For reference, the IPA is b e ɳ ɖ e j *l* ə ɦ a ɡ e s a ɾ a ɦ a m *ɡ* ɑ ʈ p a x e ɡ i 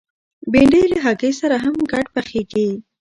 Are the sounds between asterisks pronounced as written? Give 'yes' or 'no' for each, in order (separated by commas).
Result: yes, yes